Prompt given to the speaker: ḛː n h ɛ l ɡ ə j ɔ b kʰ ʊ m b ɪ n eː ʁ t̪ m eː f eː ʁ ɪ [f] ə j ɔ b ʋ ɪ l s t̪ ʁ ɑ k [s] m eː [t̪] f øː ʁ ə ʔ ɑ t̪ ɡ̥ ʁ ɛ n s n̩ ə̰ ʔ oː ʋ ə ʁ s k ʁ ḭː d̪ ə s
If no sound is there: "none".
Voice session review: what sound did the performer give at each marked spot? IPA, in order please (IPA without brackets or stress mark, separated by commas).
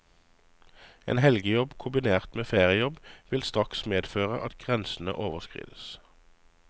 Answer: none, s, d̪